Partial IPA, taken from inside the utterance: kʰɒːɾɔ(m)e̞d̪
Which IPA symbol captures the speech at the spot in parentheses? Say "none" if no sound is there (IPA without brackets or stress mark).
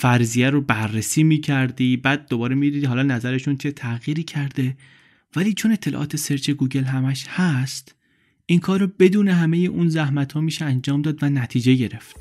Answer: b